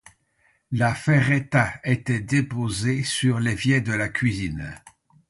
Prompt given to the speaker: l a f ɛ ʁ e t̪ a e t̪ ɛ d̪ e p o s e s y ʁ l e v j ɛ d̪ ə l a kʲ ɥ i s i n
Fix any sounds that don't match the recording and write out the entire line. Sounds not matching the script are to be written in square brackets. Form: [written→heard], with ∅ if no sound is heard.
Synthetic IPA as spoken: l a f ɛ ʁ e t̪ a e t̪ ɛ d̪ e p o [s→z] e s y ʁ l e v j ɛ d̪ ə l a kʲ ɥ i [s→z] i n